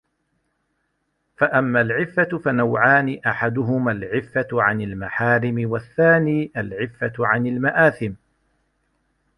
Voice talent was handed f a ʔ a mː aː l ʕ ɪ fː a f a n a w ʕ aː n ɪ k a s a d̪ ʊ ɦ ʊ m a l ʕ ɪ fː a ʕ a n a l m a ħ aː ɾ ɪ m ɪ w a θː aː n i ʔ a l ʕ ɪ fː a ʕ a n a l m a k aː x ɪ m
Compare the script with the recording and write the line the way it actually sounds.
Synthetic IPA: f a ʔ a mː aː l ʕ ɪ fː a f a n a w ʕ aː n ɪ ʔ a ħ a d̪ ʊ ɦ ʊ m a l ʕ ɪ fː a ʕ a n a l m a ħ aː ɾ ɪ m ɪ w a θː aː n iː ʔ a l ʕ ɪ fː a ʕ a n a l m a ʔ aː θ ɪ m